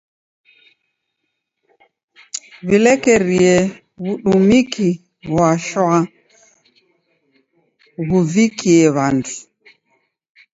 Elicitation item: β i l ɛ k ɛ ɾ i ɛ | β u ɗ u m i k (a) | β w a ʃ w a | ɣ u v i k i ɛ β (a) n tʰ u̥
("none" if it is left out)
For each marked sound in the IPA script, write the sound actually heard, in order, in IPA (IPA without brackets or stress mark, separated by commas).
i, a